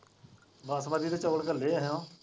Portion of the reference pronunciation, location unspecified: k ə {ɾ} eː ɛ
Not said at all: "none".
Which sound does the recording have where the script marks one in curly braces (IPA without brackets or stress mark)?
l